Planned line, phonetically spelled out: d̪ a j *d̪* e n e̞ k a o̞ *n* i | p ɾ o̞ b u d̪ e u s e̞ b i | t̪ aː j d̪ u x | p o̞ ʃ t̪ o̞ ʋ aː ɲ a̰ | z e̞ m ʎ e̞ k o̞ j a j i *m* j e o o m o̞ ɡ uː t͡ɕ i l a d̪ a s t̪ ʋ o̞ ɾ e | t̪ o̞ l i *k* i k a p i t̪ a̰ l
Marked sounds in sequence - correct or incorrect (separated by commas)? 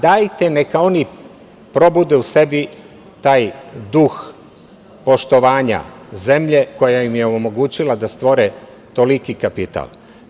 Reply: incorrect, correct, correct, correct